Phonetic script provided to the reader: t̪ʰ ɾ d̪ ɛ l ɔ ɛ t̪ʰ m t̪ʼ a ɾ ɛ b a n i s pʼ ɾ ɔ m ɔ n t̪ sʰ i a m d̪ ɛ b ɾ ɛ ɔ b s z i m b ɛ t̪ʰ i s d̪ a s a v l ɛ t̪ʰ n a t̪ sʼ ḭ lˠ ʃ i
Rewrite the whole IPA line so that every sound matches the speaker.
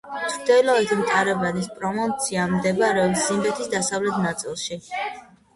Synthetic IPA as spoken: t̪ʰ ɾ d̪ ɛ l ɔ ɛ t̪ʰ m t̪ʼ a ɾ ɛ b a n i s pʼ ɾ ɔ m ɔ n t̪ sʰ i a m d̪ ɛ b ɾ ɛ ɔ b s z i m b ɛ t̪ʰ i s d̪ a s a v l ɛ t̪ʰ n a t̪ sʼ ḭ lˠ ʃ i